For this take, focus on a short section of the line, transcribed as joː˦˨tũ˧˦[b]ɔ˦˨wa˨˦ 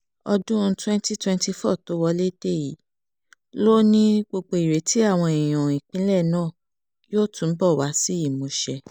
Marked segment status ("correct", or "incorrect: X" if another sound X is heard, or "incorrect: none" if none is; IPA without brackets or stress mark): correct